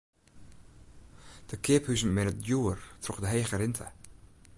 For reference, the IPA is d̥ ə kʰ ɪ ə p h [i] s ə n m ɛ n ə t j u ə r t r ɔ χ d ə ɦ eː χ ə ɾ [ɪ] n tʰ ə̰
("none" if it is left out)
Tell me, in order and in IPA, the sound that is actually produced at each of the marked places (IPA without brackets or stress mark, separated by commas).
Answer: y, ɪ